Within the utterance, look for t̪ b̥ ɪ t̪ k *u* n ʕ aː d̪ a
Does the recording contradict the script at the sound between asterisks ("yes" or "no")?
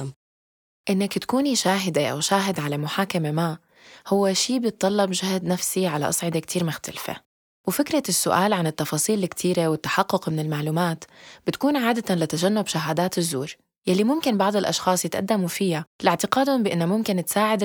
yes